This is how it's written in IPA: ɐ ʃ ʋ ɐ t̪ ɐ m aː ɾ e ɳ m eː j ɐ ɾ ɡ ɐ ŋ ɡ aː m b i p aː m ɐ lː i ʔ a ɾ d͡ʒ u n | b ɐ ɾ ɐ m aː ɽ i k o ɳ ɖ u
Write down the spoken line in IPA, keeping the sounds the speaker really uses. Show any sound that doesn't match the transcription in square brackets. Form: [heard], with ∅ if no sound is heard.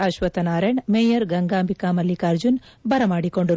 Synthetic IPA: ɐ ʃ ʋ ɐ t̪ ɐ [n] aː ɾ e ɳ m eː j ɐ ɾ ɡ ɐ ŋ ɡ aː m b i [k] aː m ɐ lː i [k] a ɾ d͡ʒ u n | b ɐ ɾ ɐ m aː ɽ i k o ɳ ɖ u